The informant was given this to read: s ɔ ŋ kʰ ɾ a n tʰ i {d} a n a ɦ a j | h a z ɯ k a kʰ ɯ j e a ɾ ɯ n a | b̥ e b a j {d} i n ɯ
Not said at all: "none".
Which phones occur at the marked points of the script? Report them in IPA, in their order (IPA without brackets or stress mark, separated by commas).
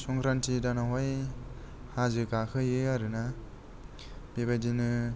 d, d